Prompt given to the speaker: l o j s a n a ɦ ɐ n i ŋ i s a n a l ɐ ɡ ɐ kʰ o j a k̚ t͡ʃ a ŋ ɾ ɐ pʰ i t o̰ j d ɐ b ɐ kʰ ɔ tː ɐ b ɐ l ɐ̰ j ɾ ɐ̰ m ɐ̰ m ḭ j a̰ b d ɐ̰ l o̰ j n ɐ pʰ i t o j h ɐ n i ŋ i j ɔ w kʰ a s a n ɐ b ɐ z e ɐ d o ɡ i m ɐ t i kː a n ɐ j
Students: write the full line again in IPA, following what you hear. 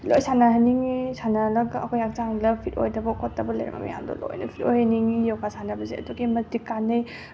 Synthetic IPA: l o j s a n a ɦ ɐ n i ŋ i s a n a l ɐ ɡ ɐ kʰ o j a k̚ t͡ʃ a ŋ l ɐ pʰ i t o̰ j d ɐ b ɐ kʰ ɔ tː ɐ b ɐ l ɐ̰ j ɾ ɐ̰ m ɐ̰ m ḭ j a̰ m d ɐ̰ l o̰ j n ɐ pʰ i t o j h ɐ n i ŋ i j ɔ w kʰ a s a n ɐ b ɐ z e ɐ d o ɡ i m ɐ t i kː a n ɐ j

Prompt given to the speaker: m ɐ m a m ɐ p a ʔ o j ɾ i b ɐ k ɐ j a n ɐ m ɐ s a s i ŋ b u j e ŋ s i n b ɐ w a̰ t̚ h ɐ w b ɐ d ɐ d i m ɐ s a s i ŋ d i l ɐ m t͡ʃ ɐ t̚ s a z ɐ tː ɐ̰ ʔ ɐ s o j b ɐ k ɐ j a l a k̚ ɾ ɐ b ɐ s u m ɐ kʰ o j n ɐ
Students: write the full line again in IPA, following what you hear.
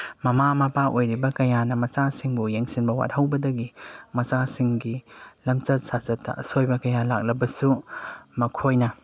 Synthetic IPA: m ɐ m a m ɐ p a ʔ o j ɾ i b ɐ k ɐ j a n ɐ m ɐ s a s i ŋ b u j e ŋ s i n b ɐ w a̰ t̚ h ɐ w b ɐ d ɐ ɡ i m ɐ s a s i ŋ ɡ i l ɐ m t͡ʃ ɐ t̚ s a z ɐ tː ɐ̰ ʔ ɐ s o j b ɐ k ɐ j a l a k̚ l ɐ b ɐ s u m ɐ kʰ o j n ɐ

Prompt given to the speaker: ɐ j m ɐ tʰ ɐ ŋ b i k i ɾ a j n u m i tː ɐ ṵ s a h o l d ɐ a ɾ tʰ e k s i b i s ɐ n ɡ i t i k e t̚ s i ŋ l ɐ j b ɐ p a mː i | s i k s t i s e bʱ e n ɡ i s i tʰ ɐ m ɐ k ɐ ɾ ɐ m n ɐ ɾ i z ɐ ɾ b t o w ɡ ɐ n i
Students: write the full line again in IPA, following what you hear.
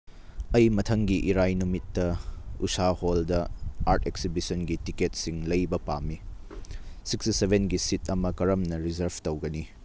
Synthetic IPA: ɐ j m ɐ tʰ ɐ ŋ ɡ i ʔ i ɾ a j n u m i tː ɐ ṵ s a h o l d ɐ a ɾ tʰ e k s i b i s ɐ n ɡ i t i k e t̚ s i ŋ l ɐ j b ɐ p a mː i | s i k s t i s e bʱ e n ɡ i s i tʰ ɐ m ɐ k ɐ ɾ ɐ m n ɐ ɾ i z ɐ ɾ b t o w ɡ ɐ n i

